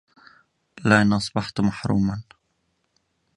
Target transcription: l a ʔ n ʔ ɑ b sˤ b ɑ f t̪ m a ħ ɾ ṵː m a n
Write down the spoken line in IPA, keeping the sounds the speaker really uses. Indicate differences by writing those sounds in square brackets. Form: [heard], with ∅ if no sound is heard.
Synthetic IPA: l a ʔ n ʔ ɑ [∅] sˤ b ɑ [ħ] t̪ m a ħ ɾ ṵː m a n